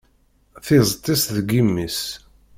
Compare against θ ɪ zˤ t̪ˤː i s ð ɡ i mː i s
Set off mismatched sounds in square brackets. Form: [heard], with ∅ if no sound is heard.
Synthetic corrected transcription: θ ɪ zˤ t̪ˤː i s ð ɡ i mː i s